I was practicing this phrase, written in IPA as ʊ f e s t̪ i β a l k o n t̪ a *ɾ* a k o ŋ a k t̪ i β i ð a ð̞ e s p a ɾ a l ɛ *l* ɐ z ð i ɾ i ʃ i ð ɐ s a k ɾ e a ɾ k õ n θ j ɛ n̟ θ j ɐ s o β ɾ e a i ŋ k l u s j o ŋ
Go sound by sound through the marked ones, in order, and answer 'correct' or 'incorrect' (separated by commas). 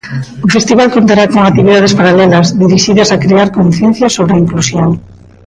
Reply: correct, correct